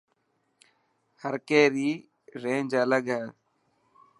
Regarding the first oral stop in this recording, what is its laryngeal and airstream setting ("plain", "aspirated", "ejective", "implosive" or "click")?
plain